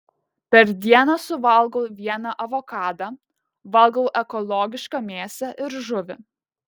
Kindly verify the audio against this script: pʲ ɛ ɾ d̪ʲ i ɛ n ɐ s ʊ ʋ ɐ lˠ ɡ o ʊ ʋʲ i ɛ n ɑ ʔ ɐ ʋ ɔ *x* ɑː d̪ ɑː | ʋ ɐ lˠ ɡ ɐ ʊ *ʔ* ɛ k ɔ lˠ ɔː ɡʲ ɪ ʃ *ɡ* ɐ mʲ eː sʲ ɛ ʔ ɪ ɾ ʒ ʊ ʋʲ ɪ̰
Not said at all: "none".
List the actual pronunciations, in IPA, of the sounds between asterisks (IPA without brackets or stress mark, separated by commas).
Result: k, ʔ, k